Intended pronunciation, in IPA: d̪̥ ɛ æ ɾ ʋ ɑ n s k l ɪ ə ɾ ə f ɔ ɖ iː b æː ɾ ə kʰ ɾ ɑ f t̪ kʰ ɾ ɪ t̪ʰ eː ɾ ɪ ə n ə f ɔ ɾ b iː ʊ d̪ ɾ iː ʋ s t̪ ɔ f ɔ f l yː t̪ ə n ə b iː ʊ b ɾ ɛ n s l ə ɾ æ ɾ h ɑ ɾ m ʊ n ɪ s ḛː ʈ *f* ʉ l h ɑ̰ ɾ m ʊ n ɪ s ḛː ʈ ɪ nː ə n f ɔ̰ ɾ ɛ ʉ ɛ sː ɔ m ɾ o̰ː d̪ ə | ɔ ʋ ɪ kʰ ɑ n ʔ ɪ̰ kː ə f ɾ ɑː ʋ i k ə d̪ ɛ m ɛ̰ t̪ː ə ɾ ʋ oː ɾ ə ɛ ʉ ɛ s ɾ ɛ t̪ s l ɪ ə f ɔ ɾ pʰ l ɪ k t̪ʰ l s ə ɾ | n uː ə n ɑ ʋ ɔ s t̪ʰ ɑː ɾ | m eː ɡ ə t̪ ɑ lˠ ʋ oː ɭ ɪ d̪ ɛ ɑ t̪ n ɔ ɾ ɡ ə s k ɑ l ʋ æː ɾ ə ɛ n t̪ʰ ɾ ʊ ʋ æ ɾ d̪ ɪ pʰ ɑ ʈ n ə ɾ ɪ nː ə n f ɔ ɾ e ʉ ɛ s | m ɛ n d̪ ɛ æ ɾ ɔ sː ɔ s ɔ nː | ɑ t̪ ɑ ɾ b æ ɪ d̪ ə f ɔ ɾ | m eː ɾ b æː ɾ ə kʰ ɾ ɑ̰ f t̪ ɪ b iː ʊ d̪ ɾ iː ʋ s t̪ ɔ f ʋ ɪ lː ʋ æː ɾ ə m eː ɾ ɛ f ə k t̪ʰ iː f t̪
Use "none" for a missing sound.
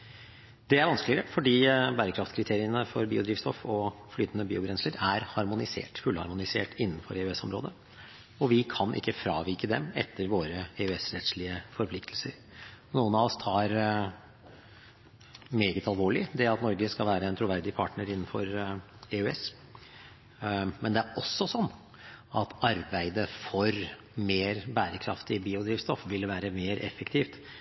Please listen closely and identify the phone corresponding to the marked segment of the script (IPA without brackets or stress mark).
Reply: f